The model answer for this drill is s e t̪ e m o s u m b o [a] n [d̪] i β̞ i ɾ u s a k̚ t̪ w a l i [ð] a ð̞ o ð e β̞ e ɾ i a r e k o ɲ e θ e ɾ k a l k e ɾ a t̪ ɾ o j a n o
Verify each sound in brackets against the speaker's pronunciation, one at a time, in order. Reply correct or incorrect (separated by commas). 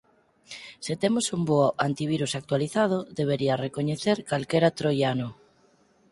correct, incorrect, incorrect